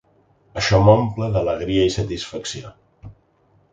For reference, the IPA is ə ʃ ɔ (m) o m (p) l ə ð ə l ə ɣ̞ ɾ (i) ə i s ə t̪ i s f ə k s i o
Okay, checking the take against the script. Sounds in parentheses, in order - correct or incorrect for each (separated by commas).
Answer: correct, correct, correct